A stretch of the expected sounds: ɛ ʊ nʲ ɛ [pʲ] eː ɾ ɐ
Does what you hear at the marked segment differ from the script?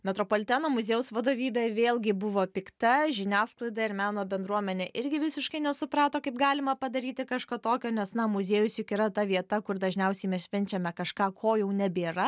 yes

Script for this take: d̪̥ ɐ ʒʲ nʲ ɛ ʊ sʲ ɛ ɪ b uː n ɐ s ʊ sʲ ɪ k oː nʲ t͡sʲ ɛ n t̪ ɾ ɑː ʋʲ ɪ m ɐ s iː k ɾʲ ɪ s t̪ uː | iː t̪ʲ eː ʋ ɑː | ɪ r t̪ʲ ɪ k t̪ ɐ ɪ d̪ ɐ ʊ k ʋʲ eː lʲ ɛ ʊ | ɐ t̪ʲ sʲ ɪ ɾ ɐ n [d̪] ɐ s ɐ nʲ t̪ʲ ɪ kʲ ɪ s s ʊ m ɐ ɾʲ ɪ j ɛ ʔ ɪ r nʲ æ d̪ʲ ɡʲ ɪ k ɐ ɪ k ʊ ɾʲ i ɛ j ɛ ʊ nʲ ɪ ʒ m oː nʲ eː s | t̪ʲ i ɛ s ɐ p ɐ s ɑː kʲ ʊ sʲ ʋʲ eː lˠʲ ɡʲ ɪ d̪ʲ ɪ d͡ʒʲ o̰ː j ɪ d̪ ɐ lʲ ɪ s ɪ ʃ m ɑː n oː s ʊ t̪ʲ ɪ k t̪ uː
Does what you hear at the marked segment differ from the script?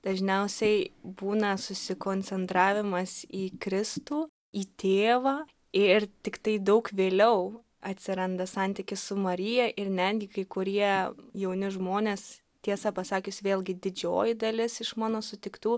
no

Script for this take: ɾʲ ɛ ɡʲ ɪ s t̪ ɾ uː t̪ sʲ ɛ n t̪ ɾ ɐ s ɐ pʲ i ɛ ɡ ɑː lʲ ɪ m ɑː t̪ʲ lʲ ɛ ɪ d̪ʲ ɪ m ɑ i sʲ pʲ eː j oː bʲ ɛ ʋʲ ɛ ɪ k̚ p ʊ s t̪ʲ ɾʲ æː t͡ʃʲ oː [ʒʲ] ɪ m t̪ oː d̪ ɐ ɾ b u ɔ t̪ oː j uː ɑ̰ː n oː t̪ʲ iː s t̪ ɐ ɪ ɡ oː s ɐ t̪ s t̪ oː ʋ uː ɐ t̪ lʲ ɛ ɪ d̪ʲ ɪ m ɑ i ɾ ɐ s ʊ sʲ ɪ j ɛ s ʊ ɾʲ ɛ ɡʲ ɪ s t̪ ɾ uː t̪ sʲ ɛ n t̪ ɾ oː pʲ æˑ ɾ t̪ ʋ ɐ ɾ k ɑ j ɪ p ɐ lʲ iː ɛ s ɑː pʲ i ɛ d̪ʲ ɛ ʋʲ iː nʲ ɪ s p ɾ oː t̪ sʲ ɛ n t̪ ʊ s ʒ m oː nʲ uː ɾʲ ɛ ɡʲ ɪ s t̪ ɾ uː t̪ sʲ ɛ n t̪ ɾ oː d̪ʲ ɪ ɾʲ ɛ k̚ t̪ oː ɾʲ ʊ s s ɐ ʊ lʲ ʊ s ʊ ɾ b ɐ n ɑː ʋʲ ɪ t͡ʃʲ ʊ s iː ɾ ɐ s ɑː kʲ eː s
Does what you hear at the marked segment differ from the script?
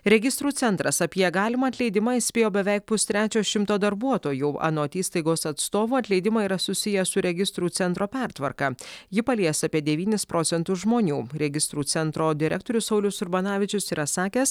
yes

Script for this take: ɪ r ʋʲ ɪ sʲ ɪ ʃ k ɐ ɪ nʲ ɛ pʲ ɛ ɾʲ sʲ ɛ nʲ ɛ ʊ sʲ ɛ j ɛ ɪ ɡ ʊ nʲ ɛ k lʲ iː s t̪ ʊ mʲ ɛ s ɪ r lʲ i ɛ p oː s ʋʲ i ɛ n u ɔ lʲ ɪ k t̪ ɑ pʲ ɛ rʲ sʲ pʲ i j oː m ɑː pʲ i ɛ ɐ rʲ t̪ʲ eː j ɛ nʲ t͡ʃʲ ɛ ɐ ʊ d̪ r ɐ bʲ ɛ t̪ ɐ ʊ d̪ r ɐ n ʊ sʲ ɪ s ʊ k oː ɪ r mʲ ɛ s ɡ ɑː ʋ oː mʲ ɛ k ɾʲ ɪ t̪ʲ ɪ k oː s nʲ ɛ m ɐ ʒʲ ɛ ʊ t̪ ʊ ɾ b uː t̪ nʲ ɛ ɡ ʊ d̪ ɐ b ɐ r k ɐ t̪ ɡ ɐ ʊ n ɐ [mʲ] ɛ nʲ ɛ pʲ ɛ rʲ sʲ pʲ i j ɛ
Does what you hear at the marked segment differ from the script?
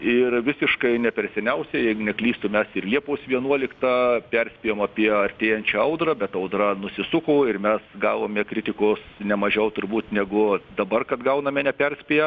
no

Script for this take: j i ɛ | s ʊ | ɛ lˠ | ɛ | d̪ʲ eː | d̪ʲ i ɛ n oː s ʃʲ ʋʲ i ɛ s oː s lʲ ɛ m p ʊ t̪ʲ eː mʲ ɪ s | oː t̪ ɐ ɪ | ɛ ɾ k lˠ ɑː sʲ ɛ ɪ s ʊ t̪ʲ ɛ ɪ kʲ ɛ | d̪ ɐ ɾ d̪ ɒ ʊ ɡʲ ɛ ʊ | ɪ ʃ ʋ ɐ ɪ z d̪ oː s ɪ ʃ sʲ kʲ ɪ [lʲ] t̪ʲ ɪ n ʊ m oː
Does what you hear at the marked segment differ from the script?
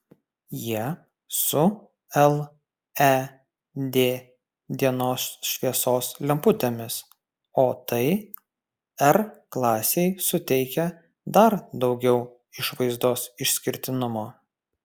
yes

